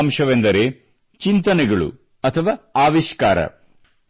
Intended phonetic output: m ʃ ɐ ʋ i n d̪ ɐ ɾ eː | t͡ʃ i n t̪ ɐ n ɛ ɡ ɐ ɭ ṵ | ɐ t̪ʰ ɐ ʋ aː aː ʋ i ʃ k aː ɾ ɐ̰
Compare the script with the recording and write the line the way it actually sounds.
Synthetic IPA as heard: m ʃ ɐ ʋ e n d̪ ɐ ɾ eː | t͡ʃ i n t̪ ɐ n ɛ ɡ ɐ ɭ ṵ | ɐ t̪ʰ ɐ ʋ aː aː ʋ i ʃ k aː ɾ ɐ̰